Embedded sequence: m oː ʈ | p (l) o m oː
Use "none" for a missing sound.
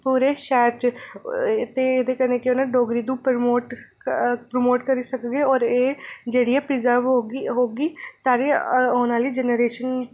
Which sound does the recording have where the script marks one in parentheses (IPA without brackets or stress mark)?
ɾ